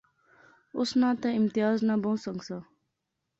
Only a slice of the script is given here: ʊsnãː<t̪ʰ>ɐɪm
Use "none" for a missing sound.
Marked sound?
t̪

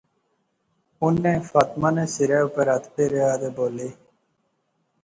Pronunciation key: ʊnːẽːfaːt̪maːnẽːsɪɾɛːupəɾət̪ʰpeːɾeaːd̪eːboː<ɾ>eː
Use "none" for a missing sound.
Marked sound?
l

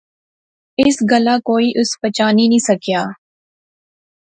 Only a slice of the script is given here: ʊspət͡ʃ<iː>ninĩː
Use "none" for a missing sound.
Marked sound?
aː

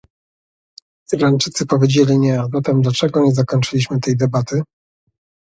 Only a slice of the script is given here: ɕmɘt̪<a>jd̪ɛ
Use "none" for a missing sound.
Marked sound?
ɛ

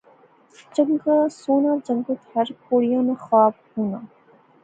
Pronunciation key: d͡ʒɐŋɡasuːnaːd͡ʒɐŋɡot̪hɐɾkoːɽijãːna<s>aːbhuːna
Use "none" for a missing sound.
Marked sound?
x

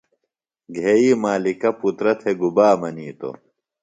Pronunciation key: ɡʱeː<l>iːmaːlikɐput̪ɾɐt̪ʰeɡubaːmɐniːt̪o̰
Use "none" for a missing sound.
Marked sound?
none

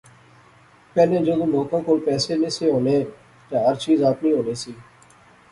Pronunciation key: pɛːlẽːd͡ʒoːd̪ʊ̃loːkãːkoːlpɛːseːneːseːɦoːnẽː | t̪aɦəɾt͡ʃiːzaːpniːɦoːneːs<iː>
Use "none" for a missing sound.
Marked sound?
iː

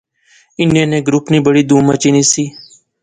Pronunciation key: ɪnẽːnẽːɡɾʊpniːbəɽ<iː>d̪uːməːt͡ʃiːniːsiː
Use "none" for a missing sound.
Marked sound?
iː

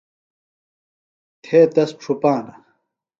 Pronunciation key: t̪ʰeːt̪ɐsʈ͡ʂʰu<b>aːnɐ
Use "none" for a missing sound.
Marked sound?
p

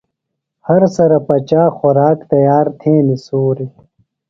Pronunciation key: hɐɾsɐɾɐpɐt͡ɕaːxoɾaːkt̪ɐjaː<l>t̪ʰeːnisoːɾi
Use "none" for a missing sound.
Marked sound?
ɾ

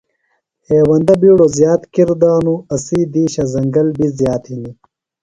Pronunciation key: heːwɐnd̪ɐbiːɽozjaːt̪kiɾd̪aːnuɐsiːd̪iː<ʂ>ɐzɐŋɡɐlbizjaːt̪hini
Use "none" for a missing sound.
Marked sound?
ɕ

